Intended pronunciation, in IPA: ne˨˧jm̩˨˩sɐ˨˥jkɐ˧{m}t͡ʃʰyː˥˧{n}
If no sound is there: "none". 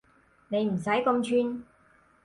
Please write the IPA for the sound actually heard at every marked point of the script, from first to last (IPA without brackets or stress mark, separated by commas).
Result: m, n